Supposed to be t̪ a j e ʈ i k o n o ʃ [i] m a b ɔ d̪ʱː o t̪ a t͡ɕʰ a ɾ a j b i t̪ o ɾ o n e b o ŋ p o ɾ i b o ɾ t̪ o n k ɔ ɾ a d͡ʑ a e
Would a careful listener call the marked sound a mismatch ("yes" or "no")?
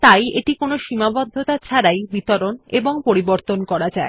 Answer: no